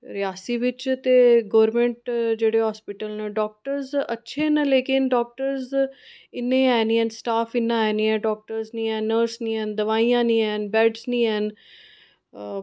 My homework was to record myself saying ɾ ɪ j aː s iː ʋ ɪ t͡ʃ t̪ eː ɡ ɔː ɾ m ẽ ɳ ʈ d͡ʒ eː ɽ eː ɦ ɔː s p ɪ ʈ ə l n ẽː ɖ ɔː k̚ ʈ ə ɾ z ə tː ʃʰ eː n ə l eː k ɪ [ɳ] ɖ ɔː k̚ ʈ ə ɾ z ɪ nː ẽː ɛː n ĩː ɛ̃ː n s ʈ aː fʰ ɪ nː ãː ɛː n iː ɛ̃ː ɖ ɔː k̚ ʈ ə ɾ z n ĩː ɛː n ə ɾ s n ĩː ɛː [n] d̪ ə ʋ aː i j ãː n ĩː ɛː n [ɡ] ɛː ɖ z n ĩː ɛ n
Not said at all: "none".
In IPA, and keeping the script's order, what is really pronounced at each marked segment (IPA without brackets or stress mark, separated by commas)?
n, n, b